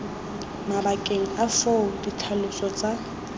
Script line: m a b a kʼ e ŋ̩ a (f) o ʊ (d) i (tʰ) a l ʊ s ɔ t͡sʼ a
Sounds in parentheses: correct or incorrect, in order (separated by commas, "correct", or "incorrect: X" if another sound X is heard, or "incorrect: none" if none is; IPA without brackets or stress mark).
correct, correct, correct